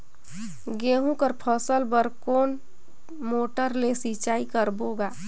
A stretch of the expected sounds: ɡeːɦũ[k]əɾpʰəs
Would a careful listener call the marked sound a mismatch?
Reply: no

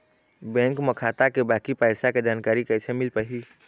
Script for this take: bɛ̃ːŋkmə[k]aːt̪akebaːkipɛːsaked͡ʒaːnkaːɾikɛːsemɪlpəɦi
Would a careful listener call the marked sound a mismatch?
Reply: yes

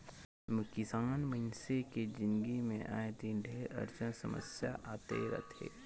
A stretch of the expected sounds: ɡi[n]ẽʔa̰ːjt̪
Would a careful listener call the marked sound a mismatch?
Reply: yes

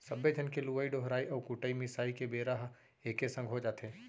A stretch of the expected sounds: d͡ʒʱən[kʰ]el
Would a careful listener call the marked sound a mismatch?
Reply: yes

